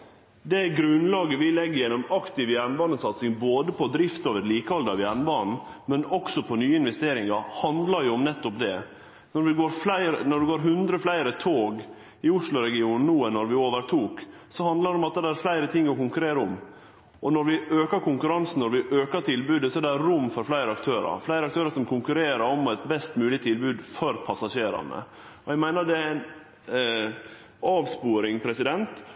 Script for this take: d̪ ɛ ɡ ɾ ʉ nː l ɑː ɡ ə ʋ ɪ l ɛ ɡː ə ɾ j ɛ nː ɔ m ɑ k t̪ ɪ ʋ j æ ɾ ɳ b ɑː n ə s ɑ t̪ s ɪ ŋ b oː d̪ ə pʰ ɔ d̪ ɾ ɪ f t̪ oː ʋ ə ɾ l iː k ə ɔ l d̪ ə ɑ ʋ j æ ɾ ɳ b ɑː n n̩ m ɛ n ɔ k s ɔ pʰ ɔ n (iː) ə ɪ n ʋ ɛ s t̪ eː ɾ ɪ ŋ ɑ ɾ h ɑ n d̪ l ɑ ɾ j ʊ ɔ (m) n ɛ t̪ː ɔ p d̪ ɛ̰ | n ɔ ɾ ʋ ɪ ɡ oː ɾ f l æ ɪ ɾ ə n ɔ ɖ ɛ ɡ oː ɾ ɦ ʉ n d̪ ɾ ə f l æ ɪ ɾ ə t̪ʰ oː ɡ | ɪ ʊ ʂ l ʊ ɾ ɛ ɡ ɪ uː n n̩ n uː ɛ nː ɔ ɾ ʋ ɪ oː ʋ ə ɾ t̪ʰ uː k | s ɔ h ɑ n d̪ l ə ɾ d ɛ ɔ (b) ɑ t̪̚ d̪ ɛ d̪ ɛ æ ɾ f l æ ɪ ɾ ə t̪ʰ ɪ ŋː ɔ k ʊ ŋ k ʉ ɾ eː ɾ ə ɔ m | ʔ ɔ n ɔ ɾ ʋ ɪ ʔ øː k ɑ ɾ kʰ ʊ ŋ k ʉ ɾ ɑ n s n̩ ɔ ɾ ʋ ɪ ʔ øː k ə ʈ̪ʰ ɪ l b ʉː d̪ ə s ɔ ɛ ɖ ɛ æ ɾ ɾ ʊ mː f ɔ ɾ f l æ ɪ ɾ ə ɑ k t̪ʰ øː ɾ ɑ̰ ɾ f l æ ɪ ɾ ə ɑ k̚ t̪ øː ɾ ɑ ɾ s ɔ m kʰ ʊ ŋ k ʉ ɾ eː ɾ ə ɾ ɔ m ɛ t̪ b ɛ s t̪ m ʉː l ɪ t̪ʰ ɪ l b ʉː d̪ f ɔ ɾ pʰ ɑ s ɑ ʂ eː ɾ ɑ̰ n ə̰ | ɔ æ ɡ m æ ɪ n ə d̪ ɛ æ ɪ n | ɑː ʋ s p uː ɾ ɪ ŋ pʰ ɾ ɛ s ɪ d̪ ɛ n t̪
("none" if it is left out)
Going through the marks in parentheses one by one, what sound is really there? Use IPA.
yː, m, m

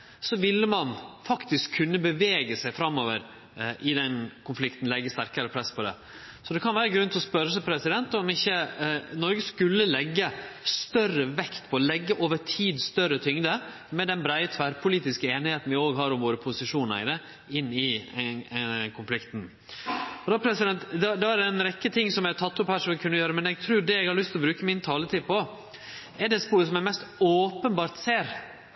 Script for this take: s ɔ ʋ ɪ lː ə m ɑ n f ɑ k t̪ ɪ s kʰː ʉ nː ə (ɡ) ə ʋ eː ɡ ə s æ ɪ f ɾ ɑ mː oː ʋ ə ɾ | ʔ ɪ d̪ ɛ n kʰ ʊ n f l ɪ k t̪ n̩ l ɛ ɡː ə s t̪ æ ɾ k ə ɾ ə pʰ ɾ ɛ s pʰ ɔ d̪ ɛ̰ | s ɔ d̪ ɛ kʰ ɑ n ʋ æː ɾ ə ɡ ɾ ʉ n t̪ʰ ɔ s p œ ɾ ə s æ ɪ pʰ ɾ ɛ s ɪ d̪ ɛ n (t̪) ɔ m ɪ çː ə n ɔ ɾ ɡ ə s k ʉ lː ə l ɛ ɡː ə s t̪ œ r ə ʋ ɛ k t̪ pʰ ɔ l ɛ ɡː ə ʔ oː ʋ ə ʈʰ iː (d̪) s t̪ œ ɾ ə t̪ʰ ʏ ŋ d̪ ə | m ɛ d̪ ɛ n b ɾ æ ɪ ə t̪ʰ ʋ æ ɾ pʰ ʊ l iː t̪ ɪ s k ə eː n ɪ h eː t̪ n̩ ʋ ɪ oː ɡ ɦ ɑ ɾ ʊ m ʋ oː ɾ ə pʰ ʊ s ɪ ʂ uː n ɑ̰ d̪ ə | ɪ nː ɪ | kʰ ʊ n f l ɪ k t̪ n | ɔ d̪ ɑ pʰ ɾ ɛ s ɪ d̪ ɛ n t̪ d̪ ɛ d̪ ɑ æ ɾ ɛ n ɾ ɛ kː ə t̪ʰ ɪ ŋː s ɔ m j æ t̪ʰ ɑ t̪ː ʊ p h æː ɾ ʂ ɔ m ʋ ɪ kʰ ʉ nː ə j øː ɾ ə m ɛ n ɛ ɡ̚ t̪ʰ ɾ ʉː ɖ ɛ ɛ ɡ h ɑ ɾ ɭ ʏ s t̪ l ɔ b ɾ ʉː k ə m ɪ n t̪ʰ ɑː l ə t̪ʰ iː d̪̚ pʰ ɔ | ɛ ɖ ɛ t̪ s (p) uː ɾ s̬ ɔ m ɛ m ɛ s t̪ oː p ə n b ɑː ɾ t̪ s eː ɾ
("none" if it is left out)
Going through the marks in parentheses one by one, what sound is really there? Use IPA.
b, t̪, d̪, p

